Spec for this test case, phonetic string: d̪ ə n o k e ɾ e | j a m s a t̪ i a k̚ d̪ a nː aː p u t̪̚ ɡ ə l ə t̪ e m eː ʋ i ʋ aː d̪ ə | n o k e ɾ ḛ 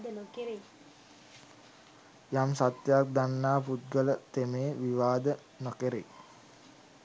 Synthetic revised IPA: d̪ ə n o k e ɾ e | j a m s a t̪ j a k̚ d̪ a nː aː p u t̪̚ ɡ ə l ə t̪ e m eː ʋ i ʋ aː d̪ ə | n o k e ɾ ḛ

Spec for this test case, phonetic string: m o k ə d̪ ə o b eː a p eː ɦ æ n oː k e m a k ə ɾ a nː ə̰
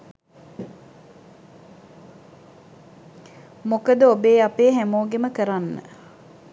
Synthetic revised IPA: m o k ə d̪ ə o b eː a p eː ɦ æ m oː ɡ e m ə k ə ɾ a nː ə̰

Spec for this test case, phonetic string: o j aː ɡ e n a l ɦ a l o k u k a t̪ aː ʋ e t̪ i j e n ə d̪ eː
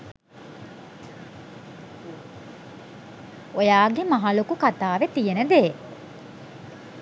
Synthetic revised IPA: o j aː ɡ e m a ɦ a l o k u k a t̪ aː ʋ e t̪ i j e n ə d̪ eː

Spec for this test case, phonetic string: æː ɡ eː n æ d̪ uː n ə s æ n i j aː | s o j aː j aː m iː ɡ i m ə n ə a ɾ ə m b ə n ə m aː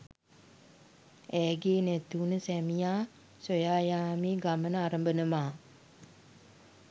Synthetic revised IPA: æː ɡ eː n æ t̪ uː n ə s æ m i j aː | s o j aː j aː m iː ɡ a m ə n ə a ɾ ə m b ə n ə m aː

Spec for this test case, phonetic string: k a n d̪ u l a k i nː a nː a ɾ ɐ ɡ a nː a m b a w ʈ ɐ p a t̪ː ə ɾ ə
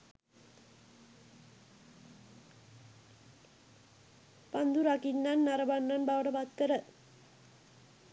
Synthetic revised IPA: p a n d̪ u ɾ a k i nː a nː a ɾ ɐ b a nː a n b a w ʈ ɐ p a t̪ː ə ɾ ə

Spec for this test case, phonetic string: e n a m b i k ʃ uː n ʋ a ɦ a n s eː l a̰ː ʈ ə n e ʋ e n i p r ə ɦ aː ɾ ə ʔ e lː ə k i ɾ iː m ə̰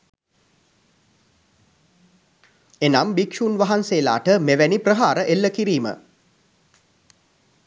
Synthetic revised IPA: e n a m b i k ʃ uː n ʋ a ɦ a n s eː l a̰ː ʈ ə m e ʋ æ n i p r ə ɦ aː ɾ ə ʔ e lː ə k i ɾ iː m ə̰

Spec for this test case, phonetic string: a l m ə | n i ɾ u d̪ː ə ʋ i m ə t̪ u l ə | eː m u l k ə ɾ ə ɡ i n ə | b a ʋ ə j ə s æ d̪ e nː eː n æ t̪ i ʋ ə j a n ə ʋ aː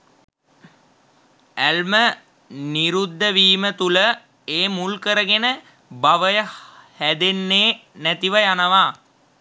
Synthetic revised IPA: æ l m ə | n i ɾ u d̪ː ə ʋ iː m ə t̪ u l ə | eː m u l k ə ɾ ə ɡ e n ə | b a ʋ ə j ə h æ d̪ e nː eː n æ t̪ i ʋ ə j a n ə ʋ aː

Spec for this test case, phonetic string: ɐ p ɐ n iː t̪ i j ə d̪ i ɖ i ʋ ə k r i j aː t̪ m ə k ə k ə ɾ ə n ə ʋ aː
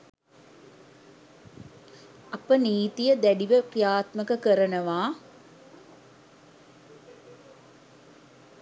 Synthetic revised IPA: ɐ p ə n iː t̪ i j ə d̪ æ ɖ i ʋ ə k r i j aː t̪ m ə k ə k ə ɾ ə n ə ʋ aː

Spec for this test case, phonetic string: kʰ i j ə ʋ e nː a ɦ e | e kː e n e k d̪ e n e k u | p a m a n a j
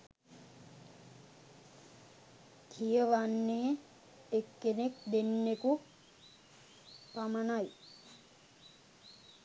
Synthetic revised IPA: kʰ i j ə ʋ a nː e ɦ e | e kː e n e k d̪ e nː e k u | p a m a n a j

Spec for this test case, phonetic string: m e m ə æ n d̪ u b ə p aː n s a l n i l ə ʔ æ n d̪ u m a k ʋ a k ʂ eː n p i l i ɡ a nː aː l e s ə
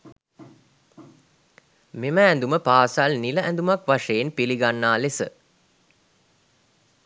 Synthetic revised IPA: m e m ə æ n d̪ u m ə p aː s a l n i l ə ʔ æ n d̪ u m a k ʋ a ʂ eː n p i l i ɡ a nː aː l e s ə

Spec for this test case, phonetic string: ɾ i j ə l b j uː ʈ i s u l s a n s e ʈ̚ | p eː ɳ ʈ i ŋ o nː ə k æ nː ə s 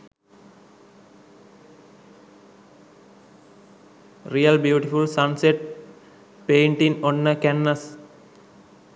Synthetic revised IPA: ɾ i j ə l b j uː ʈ i f u l s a n s e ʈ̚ | p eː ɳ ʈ i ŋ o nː ə k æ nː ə s

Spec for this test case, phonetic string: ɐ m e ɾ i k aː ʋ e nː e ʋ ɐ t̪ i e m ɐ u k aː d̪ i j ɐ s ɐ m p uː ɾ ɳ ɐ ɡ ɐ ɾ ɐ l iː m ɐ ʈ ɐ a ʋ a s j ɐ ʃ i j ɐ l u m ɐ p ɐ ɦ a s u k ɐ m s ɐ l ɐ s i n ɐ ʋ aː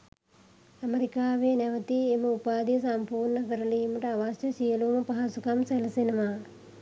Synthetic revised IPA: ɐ m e ɾ i k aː ʋ e n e ʋ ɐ t̪ i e m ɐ u p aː d̪ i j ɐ s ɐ m p uː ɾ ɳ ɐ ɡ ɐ ɾ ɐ l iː m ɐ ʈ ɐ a ʋ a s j ɐ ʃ i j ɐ l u m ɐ p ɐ ɦ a s u k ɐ m s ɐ l ɐ s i n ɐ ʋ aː

